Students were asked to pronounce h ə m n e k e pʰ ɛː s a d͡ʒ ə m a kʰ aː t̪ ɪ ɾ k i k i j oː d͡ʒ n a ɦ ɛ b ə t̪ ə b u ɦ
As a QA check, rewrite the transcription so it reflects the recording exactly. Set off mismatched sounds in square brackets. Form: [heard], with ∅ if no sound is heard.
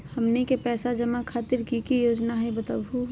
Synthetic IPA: h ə m n e k e [p] ɛː s a d͡ʒ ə m a kʰ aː t̪ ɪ ɾ k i k i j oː d͡ʒ n a ɦ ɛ b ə t̪ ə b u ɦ